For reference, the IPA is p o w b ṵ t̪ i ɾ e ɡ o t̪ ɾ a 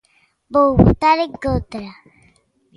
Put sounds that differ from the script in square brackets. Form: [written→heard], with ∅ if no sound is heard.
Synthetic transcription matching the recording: [p→b] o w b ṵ t̪ [i→a] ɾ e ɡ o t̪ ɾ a